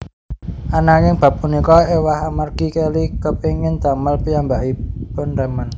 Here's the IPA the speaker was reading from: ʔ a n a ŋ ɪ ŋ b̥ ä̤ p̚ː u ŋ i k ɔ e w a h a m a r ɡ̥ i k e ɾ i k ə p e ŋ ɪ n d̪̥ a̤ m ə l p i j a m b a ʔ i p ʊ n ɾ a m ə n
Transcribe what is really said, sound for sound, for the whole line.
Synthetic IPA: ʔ a n a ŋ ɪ ŋ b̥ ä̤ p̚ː u n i k ɔ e w a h a m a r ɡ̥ i k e l i k ə p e ŋ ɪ n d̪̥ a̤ m ə l p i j a m b a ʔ i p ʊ n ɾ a m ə n